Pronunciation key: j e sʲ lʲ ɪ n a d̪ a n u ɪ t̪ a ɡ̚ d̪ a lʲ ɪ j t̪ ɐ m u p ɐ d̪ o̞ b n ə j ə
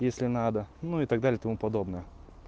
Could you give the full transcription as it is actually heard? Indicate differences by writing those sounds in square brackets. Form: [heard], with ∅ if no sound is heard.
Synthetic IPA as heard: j e sʲ lʲ ɪ n a d̪ [ə] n u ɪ t̪ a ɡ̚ d̪ a lʲ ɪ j t̪ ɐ m u p ɐ d̪ o̞ b n ə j ə